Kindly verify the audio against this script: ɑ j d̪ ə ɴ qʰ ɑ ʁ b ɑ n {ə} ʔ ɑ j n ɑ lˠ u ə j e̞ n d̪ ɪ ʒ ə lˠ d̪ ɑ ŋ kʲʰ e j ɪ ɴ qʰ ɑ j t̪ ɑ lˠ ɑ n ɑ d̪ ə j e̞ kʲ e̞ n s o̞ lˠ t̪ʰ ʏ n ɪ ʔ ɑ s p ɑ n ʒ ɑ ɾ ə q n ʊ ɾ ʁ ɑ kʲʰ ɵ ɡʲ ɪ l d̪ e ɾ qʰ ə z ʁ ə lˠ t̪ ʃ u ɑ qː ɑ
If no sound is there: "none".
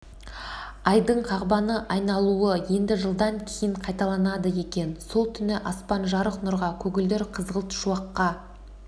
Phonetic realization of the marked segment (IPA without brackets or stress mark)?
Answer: ə